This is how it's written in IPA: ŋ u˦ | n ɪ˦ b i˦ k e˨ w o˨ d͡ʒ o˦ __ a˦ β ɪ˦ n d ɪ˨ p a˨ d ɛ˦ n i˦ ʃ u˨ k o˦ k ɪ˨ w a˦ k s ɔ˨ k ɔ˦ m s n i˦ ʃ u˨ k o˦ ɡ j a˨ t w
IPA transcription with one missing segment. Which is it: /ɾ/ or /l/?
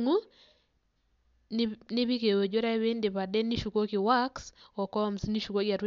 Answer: ɾ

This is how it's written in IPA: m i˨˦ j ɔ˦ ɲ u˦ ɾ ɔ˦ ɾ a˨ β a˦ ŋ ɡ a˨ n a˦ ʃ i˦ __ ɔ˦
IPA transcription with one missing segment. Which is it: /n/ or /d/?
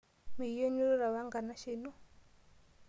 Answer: n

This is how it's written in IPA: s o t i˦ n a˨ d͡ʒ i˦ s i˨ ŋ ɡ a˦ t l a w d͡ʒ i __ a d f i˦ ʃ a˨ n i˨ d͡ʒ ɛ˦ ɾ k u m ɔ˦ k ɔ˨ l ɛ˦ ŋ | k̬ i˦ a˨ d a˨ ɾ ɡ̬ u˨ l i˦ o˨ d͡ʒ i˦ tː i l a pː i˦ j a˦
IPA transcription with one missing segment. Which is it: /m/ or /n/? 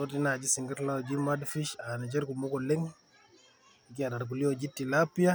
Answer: m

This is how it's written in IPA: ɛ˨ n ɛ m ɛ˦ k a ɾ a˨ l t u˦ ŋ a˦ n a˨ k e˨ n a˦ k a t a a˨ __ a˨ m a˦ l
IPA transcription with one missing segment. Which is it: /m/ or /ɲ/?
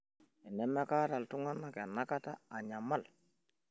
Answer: ɲ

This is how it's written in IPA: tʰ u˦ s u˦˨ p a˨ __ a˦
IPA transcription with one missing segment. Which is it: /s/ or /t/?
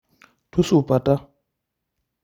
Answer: t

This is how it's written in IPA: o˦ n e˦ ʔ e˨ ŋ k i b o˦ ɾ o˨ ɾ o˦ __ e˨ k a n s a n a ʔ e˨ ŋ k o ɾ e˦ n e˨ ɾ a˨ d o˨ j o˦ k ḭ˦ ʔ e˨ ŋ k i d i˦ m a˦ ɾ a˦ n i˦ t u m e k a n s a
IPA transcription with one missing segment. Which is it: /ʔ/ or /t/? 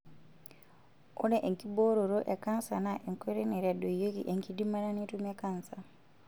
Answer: ʔ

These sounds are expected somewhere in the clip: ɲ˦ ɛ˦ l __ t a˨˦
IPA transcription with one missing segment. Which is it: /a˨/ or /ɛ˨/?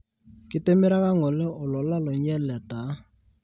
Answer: ɛ˨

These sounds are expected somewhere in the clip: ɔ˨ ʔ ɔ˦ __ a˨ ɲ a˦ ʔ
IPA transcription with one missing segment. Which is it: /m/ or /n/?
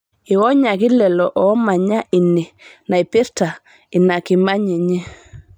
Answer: m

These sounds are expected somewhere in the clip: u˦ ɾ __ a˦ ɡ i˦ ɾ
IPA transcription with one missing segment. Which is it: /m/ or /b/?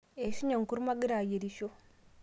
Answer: m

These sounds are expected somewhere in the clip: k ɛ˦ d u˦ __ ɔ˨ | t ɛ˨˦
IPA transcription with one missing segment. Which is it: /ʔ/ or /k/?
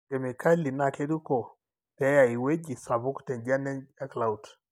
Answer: k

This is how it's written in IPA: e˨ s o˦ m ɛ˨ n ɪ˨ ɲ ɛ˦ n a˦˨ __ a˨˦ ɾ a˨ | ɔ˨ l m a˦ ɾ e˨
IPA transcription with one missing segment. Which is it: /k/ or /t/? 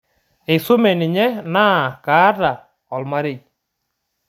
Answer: k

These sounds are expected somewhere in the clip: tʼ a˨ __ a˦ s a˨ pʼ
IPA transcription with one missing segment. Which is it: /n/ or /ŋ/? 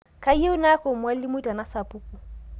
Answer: n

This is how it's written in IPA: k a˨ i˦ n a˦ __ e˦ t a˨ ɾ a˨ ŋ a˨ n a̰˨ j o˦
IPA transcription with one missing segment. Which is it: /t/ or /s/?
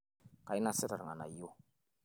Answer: s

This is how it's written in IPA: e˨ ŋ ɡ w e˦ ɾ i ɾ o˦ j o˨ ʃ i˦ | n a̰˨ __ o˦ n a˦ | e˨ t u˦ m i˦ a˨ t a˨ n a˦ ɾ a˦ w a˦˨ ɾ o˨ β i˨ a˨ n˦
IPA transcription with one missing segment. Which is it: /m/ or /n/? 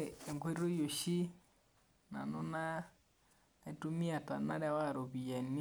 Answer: n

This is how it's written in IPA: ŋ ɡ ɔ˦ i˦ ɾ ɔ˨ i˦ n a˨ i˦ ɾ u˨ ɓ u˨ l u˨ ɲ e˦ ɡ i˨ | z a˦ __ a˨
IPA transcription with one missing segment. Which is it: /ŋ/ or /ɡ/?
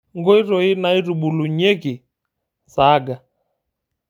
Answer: ɡ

